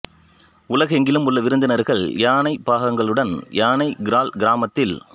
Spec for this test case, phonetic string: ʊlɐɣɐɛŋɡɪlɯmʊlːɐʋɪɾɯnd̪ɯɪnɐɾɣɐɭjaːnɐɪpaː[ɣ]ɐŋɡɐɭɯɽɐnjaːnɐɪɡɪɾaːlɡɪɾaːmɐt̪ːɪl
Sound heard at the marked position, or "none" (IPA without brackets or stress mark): ɣ